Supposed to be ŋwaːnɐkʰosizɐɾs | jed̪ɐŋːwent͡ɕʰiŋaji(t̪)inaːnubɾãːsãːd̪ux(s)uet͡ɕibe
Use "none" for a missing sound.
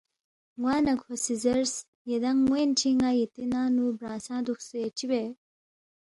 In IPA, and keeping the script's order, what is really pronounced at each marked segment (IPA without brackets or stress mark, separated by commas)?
t̪, s